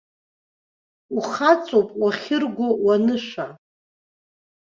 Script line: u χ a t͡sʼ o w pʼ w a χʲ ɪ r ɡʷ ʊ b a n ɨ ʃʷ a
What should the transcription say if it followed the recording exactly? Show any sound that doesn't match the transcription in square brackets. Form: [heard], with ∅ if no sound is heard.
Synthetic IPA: u χ a t͡sʼ o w pʼ w a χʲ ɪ r ɡʷ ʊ [w] a n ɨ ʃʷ a